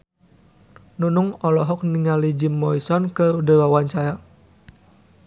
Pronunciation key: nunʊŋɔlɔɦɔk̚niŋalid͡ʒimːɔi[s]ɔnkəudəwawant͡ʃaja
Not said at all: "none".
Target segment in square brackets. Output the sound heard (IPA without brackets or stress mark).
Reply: s